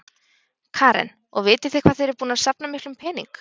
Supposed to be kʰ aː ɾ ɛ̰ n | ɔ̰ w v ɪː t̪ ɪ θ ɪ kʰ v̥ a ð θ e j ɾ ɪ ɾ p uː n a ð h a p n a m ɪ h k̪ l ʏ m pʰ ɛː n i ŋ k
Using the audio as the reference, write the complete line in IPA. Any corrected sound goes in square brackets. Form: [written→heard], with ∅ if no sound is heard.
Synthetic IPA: kʰ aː ɾ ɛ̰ n | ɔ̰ [w→ɣ] v ɪː t̪ ɪ θ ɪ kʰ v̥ a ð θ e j ɾ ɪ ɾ p uː n a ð [h→s] a p n a m ɪ h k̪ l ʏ m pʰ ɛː n i ŋ k